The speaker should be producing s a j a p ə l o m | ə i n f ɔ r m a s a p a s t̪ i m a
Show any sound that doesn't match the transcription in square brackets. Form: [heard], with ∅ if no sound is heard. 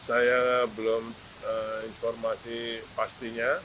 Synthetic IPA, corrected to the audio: s a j a [b] ə l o m | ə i n f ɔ r m a s [i] p a s t̪ i [ɲ] a